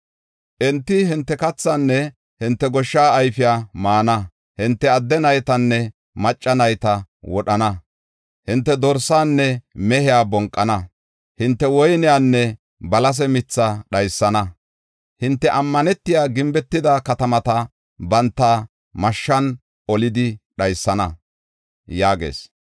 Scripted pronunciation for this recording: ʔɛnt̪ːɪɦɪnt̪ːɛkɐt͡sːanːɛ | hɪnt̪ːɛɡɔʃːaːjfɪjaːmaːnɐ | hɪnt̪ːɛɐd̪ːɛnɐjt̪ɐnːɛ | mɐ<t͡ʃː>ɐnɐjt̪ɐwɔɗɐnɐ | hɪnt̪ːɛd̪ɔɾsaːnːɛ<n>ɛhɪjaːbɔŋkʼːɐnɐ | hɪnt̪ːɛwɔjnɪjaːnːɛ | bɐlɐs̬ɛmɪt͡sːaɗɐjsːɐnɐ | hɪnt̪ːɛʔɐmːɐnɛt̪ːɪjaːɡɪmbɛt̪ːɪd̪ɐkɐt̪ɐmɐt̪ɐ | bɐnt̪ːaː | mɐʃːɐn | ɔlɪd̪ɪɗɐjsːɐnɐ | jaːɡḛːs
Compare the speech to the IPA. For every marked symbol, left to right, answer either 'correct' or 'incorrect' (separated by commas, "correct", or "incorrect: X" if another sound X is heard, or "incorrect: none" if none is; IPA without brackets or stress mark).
incorrect: t͡ʃʼː, incorrect: m